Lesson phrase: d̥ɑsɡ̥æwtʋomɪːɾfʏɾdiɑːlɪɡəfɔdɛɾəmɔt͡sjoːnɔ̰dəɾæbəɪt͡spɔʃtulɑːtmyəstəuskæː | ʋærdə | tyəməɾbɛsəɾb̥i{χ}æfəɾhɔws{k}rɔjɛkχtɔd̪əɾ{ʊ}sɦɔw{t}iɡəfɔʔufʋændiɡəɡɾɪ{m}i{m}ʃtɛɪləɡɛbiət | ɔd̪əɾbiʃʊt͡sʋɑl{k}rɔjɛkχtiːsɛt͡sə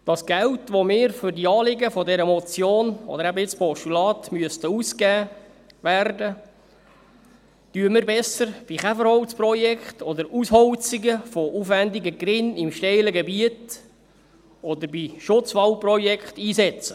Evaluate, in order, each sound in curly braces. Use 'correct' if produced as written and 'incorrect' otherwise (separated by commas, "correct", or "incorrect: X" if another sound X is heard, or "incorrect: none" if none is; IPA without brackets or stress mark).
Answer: correct, incorrect: p, incorrect: u, incorrect: t͡s, incorrect: n, correct, incorrect: p